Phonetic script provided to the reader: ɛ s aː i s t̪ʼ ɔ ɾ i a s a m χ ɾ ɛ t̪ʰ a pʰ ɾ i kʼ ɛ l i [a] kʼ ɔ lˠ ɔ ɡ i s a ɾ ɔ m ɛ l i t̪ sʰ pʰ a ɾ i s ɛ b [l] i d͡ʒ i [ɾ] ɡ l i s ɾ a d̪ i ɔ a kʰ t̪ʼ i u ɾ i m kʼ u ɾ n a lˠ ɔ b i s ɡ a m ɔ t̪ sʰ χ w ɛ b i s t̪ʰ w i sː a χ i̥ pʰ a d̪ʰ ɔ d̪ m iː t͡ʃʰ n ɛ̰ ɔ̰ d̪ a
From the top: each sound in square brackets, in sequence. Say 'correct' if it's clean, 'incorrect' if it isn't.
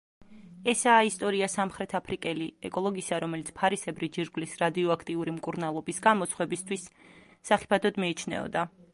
incorrect: ɛ, incorrect: ɾ, correct

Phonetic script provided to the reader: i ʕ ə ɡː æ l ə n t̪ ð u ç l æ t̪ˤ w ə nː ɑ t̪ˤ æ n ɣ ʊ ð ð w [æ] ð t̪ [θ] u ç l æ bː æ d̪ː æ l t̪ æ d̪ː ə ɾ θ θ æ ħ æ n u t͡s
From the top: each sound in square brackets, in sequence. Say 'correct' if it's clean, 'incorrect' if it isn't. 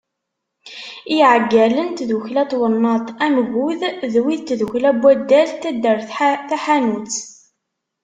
incorrect: i, incorrect: ð

